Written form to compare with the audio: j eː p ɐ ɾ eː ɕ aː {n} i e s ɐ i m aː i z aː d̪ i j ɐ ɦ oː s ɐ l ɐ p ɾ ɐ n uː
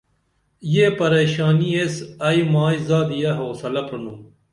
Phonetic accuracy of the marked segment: correct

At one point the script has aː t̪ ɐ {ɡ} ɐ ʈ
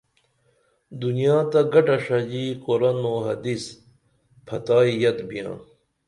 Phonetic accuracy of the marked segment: correct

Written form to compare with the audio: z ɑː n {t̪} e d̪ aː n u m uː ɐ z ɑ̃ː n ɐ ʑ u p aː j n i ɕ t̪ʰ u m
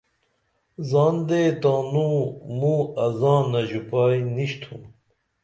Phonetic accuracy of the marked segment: incorrect: d̪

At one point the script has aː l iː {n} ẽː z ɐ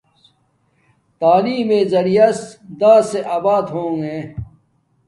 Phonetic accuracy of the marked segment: incorrect: m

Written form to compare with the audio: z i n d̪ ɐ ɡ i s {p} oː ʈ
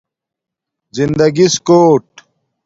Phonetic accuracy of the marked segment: incorrect: k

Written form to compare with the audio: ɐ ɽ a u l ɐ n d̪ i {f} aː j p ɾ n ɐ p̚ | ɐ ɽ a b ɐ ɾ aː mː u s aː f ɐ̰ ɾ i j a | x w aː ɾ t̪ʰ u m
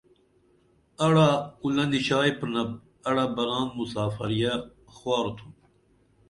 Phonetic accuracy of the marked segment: incorrect: ɕ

